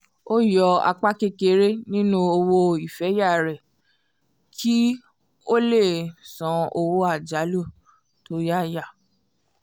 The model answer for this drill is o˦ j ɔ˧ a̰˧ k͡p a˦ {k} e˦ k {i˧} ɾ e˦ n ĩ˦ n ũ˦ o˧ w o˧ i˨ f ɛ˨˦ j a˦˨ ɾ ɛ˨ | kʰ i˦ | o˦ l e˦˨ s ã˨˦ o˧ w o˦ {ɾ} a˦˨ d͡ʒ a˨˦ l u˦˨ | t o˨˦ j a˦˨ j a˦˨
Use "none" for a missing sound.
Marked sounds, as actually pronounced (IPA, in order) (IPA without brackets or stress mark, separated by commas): k, e˧, none